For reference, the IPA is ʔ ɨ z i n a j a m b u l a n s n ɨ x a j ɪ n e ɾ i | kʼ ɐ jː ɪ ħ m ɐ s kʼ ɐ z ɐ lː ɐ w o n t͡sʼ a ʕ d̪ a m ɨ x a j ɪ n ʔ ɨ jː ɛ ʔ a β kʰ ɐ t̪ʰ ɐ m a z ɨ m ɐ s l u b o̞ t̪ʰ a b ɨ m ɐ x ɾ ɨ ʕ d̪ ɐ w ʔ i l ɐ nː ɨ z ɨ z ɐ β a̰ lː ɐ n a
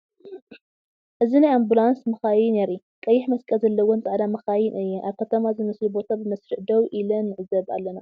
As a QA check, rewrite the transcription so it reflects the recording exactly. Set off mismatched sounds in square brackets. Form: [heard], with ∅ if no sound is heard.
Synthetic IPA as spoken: ʔ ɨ z i n a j a m b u l a n s [m] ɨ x a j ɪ n e ɾ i | kʼ ɐ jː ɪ ħ m ɐ s kʼ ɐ z ɐ lː ɐ w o n t͡sʼ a ʕ d̪ a m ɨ x a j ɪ n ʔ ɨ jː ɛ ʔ a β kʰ ɐ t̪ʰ ɐ m a z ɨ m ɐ s l u b o̞ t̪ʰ a b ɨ m ɐ [s] ɾ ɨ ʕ d̪ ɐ w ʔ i l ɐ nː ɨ [ʕ] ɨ z ɐ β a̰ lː ɐ n a